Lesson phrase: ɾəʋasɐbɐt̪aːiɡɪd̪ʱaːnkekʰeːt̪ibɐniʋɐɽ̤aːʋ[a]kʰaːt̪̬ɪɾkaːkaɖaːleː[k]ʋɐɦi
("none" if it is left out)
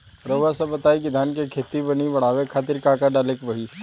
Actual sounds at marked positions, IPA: e, k

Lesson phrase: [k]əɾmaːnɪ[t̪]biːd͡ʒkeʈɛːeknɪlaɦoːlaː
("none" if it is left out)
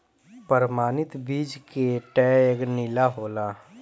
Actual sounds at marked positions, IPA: p, t̪

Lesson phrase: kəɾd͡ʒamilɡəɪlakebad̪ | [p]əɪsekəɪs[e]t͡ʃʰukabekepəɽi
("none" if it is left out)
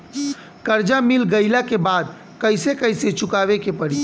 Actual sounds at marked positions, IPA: k, e

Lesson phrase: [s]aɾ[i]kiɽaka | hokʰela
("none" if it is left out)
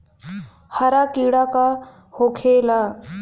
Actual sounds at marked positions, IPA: h, a

